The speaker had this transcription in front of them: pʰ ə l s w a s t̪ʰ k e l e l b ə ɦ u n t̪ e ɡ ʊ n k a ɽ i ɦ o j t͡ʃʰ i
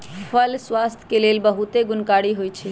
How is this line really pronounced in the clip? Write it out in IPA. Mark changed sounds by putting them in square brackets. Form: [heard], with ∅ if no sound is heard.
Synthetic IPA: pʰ ə l s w a s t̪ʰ k e l e l b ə ɦ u [∅] t̪ e ɡ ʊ n k a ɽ i ɦ o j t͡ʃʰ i